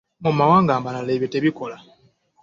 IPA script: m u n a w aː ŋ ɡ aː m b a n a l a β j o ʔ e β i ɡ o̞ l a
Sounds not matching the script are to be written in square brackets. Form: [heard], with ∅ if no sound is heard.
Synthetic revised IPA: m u [m] a w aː ŋ ɡ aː m b a n a l [e] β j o [t] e β i [k] o̞ l a